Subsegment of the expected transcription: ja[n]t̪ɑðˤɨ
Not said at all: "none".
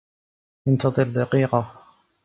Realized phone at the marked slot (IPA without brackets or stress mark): n